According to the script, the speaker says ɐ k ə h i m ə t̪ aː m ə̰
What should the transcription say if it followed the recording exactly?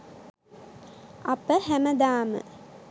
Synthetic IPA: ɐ p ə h æ m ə d̪ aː m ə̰